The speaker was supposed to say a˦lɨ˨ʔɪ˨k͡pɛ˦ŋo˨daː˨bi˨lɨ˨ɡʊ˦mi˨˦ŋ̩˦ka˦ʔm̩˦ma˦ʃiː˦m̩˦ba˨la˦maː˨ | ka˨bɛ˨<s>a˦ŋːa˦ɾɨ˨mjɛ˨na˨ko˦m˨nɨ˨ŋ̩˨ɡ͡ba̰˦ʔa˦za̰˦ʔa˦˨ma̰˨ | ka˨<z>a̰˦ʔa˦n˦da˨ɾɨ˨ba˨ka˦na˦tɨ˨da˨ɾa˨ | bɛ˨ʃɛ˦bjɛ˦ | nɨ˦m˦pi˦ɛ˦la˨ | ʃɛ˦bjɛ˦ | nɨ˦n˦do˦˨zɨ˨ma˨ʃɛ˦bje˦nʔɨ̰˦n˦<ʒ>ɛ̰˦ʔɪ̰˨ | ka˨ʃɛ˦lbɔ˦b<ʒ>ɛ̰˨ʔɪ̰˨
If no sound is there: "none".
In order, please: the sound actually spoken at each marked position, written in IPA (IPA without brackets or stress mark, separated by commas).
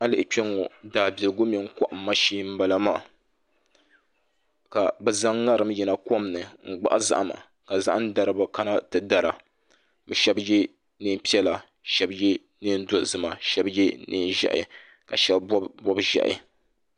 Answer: z, z, ʒ, ʒ